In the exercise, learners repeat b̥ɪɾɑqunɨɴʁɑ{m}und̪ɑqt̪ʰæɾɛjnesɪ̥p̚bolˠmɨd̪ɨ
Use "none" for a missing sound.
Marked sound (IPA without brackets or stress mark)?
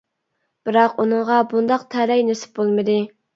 b